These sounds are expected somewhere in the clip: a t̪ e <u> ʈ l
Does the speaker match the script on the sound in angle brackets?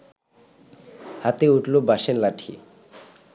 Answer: yes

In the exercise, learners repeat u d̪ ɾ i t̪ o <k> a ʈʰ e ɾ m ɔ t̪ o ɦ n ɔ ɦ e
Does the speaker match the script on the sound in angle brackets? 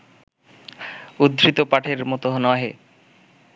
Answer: no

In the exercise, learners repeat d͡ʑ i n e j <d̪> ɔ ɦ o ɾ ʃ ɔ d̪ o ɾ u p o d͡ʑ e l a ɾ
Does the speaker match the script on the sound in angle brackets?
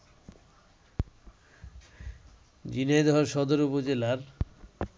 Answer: yes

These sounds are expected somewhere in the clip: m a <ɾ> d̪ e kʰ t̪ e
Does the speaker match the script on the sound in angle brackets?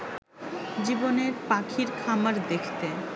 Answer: yes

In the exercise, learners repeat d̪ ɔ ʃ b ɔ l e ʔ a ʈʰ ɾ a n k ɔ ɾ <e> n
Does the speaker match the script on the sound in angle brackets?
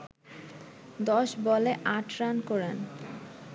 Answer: yes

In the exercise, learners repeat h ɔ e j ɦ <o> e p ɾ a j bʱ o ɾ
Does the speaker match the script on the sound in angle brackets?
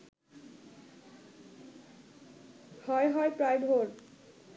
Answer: no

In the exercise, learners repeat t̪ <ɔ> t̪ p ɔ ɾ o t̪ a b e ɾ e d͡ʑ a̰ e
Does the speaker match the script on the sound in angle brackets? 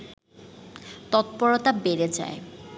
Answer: yes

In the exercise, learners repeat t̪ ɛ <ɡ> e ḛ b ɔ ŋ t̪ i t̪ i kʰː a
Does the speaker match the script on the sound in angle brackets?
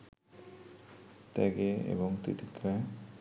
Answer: yes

